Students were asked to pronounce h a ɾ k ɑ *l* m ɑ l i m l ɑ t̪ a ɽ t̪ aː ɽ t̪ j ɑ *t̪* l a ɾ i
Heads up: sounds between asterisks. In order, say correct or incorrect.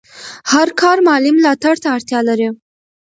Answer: incorrect, incorrect

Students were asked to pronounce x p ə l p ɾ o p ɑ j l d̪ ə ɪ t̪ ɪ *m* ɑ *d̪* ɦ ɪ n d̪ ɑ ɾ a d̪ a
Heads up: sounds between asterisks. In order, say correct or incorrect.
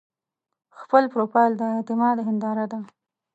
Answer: correct, correct

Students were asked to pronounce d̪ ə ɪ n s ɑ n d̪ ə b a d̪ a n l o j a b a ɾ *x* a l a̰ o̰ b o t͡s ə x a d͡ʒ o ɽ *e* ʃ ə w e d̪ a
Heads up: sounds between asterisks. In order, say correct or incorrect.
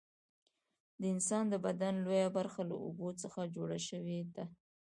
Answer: correct, incorrect

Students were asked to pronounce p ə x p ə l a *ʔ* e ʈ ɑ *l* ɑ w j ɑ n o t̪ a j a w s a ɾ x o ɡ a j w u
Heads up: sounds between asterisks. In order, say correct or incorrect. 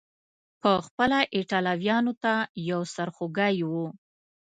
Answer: correct, correct

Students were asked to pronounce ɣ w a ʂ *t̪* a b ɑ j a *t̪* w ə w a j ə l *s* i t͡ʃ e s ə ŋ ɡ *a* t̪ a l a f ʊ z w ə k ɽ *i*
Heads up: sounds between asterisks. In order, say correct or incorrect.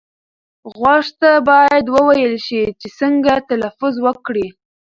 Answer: correct, incorrect, incorrect, correct, correct

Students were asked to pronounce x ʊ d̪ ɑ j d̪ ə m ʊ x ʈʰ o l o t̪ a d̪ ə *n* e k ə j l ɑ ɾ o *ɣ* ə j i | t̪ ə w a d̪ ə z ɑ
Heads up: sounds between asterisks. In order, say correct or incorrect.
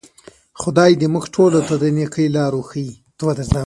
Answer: correct, incorrect

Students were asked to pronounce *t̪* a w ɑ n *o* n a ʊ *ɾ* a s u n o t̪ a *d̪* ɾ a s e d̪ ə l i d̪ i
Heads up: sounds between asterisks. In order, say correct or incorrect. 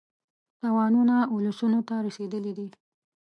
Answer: correct, incorrect, incorrect, incorrect

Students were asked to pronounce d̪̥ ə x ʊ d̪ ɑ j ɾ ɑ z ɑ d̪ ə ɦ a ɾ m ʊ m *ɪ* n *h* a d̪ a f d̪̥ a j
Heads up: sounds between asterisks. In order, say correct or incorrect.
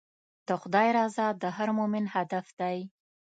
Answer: correct, correct

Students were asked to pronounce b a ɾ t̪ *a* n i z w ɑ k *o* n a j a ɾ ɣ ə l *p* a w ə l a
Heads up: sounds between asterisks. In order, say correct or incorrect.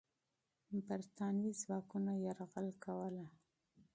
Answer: incorrect, incorrect, incorrect

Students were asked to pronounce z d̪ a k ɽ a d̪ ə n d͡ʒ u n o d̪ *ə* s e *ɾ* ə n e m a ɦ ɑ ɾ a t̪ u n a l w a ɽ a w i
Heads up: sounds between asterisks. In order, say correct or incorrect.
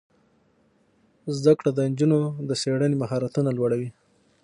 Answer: correct, incorrect

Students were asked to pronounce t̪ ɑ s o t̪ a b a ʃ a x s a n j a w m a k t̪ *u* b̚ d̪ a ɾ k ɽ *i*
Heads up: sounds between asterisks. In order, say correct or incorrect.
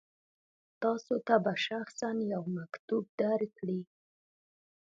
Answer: correct, correct

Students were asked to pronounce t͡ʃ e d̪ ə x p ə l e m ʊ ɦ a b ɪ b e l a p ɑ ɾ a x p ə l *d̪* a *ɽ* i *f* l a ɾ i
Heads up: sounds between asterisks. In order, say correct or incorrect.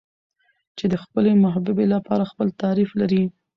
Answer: incorrect, incorrect, correct

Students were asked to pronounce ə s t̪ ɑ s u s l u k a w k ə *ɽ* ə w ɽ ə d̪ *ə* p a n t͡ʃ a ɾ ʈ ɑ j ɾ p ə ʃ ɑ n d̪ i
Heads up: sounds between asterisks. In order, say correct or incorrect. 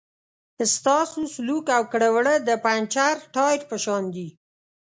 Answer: correct, correct

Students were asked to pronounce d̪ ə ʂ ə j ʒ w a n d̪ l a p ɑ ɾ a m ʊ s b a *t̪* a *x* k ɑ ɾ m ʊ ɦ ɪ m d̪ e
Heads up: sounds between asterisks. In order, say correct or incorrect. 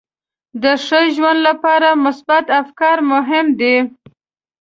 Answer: correct, incorrect

